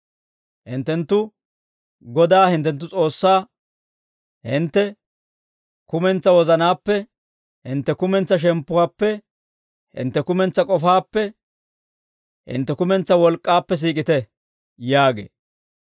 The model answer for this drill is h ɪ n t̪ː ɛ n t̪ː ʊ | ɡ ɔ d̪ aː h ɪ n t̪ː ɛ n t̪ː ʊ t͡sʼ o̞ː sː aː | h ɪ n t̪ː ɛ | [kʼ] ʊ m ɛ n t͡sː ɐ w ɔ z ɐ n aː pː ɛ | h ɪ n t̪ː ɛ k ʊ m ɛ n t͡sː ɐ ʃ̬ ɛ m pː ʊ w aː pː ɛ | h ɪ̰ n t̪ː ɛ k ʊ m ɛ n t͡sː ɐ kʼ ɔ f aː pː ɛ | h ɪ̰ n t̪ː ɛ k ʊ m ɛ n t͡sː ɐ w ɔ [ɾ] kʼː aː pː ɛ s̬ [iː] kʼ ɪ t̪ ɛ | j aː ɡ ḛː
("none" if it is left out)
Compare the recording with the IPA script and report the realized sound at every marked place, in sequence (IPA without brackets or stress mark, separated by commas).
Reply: k, l, iː